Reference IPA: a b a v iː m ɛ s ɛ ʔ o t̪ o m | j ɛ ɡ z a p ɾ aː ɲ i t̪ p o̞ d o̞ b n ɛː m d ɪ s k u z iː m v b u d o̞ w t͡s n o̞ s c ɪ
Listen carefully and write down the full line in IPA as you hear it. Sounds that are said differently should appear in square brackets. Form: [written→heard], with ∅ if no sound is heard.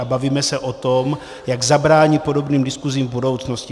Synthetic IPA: a b a v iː m ɛ s ɛ ʔ o t̪ o m | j [ɛ→a] ɡ z a [p→b] ɾ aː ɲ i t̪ p o̞ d o̞ b n [ɛː→iː] m d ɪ s k u z iː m v b u d o̞ w t͡s n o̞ s c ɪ